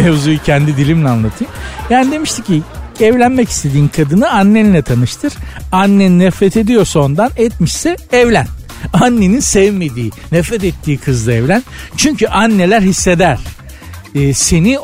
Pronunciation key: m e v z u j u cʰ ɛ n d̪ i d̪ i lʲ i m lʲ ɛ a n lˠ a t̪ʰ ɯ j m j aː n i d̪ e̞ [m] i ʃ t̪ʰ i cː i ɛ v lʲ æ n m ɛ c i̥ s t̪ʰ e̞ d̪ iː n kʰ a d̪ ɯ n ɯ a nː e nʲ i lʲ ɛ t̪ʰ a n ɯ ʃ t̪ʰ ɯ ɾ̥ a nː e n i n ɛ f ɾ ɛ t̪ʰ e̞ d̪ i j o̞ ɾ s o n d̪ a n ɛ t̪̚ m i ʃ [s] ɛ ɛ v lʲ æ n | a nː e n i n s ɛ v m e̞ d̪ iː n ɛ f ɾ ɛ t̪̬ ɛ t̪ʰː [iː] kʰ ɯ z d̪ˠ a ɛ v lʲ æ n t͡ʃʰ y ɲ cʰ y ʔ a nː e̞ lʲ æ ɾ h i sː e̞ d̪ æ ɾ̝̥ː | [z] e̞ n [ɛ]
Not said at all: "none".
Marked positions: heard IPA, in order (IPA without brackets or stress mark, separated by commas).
m, s, iː, s, i